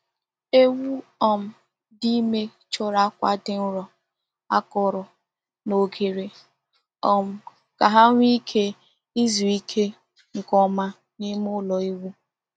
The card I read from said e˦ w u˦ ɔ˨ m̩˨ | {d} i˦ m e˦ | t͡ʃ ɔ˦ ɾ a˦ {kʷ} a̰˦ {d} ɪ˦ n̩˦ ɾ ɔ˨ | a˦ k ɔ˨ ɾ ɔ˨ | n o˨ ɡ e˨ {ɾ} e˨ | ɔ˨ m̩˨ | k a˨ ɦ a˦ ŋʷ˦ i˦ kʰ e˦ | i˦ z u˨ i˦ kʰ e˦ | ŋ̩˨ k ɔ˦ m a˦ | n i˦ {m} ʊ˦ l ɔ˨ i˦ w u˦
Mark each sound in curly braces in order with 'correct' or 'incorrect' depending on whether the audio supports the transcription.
correct, correct, correct, correct, correct

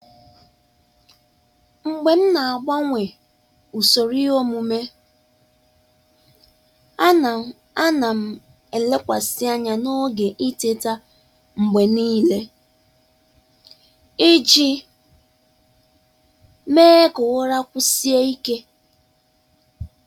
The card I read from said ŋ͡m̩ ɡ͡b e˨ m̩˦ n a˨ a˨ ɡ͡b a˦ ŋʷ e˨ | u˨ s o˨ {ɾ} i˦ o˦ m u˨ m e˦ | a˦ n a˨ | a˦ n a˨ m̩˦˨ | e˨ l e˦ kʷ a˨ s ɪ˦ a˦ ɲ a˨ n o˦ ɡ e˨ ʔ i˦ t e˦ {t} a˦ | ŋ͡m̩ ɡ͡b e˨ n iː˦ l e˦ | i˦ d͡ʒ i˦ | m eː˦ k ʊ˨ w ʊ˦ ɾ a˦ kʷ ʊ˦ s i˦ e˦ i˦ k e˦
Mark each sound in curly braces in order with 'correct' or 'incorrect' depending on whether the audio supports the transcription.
correct, correct

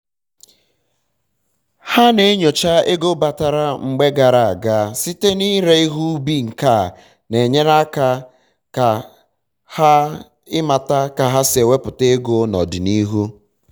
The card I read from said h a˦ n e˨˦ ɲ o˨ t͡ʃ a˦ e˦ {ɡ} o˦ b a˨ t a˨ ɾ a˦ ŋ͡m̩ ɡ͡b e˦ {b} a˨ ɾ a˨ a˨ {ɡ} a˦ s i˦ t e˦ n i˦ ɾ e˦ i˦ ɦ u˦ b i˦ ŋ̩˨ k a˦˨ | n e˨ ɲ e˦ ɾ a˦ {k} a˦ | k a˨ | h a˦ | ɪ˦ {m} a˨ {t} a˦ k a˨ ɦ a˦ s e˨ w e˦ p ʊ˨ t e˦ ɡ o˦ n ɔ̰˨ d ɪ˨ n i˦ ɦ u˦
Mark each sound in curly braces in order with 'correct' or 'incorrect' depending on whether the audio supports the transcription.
correct, incorrect: ɡ, correct, correct, correct, correct

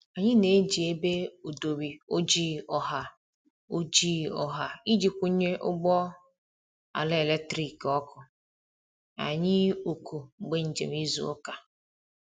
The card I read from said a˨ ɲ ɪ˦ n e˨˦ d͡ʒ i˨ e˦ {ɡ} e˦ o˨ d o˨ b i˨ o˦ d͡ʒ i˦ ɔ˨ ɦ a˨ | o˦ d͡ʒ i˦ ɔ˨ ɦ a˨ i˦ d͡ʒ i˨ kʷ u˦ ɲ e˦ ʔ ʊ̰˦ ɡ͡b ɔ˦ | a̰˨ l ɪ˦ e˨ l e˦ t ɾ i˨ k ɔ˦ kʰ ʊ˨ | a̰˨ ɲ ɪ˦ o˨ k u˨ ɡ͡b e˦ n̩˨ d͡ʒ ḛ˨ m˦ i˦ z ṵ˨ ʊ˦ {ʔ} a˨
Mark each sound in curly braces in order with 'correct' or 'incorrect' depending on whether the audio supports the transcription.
incorrect: b, incorrect: k

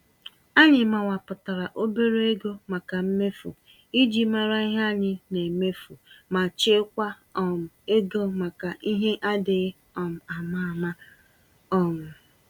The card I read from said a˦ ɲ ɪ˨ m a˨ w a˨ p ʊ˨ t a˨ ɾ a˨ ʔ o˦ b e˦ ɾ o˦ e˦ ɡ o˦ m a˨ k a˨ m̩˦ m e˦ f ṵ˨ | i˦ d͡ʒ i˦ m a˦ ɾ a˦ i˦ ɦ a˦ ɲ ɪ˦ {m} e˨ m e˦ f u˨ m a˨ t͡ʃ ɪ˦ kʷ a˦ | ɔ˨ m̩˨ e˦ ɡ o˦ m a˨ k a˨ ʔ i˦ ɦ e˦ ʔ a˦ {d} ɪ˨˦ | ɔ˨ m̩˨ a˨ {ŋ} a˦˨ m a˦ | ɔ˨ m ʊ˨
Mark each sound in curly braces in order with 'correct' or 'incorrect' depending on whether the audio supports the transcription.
incorrect: n, correct, incorrect: m

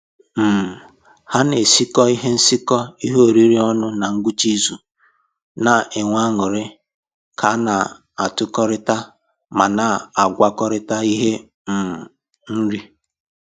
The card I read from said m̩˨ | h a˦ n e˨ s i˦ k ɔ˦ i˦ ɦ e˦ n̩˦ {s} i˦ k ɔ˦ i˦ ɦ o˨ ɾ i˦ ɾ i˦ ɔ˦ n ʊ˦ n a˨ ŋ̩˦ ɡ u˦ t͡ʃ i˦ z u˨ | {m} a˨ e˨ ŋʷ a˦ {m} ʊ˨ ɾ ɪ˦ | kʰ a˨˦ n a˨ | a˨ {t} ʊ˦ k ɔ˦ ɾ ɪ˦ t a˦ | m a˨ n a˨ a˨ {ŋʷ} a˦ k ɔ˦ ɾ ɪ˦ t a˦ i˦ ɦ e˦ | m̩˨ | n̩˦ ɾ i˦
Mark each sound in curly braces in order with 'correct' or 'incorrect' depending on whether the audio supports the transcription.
correct, incorrect: n, incorrect: ŋ, correct, incorrect: ɡʷ

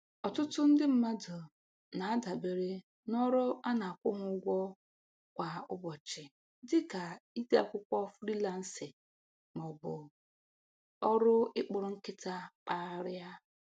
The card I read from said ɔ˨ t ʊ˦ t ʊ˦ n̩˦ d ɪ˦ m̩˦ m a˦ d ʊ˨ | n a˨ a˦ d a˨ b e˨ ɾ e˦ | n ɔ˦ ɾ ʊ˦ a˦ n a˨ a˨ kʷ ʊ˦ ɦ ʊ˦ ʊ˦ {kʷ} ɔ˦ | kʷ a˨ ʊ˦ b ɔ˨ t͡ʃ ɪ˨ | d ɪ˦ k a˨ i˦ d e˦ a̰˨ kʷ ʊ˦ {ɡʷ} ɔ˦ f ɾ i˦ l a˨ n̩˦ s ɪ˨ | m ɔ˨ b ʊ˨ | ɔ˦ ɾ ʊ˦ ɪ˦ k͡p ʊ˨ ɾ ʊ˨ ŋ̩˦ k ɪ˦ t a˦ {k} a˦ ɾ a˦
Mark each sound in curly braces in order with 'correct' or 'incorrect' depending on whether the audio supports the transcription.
incorrect: ɡʷ, incorrect: kʷ, incorrect: k͡p

